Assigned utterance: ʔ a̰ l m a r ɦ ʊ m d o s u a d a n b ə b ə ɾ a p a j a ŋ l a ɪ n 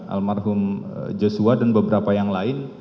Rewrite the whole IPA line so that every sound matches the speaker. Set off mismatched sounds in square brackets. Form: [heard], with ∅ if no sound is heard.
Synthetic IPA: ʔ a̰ l m a r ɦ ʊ m [d͡ʒ] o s u a d a n b ə b ə ɾ a p a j a ŋ l a ɪ n